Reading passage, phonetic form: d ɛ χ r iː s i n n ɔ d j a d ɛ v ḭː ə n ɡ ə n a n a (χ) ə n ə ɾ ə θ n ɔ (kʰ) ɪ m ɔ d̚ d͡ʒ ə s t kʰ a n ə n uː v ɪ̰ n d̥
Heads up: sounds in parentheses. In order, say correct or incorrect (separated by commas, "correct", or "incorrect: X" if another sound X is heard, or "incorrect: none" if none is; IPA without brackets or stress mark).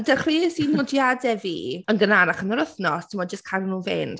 correct, incorrect: tʰ